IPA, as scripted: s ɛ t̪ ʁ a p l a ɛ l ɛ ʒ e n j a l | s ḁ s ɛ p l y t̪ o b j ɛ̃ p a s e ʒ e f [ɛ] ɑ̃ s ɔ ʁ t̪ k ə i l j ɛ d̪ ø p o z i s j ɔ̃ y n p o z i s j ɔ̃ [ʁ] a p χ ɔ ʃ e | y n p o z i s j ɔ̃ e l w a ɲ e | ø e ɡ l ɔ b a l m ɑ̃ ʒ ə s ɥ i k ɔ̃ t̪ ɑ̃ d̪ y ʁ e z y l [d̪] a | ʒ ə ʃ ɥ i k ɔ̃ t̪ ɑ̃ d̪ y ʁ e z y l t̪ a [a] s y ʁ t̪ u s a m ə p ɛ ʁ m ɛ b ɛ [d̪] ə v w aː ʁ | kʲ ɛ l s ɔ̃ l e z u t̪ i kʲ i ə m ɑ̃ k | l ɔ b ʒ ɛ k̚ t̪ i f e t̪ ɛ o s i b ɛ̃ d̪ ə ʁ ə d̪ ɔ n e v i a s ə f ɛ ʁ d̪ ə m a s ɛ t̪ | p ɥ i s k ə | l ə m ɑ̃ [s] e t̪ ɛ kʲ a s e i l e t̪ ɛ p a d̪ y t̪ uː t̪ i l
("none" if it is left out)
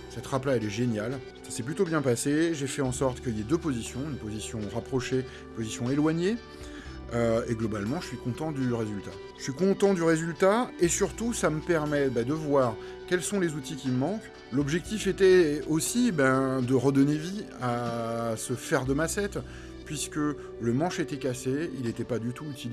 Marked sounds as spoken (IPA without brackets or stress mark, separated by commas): ɛ, ʁ, t̪, e, d̪, ʃ